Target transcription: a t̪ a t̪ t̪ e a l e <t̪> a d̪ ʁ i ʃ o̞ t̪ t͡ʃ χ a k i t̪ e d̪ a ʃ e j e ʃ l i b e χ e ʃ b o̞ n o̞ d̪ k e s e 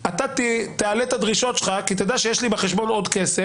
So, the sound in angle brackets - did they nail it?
yes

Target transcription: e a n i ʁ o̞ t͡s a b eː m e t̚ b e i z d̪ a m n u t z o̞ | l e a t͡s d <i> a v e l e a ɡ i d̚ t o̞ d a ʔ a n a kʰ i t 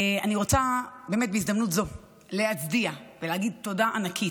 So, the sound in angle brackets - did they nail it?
yes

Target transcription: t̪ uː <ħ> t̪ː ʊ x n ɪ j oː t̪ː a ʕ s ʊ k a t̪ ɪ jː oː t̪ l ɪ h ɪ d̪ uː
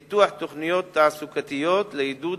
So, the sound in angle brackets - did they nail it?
yes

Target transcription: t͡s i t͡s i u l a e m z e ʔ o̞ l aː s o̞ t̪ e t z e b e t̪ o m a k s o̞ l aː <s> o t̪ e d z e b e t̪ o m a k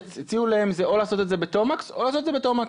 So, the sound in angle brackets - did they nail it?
yes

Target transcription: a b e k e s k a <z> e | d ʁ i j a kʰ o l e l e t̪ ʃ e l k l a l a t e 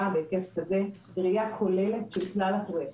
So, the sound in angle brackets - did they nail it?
yes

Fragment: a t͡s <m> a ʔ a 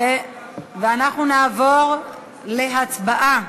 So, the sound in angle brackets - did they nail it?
no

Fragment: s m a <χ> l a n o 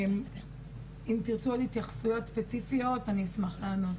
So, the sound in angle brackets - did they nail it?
yes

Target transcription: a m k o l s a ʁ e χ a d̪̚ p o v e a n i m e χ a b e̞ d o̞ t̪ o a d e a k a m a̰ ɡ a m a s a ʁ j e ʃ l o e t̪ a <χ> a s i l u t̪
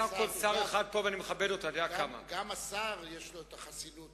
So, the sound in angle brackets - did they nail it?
yes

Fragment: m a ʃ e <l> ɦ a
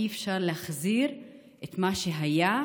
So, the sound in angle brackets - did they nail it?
no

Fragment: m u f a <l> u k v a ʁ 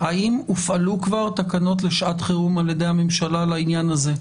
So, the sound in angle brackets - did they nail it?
yes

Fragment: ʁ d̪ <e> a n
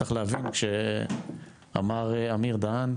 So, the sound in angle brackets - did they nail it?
no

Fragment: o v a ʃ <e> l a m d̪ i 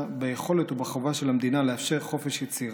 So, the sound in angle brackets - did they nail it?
yes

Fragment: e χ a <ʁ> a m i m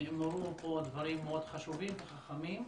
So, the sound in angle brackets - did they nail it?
no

